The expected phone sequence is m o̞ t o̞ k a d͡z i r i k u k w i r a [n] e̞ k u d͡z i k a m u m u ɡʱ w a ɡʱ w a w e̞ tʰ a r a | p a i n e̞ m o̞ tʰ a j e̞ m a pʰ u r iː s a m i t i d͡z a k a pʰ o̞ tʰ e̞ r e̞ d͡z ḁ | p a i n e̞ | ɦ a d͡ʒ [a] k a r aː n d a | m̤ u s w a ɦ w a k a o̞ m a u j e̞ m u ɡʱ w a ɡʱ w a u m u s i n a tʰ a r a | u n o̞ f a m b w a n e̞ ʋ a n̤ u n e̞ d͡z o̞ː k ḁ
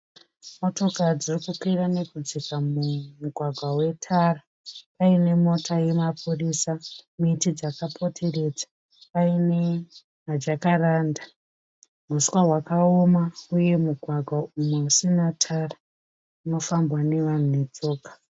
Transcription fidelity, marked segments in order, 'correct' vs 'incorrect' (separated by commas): correct, correct